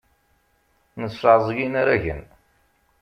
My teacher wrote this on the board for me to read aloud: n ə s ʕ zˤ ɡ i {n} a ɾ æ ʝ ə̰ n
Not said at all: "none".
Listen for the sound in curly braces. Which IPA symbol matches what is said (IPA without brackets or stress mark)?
n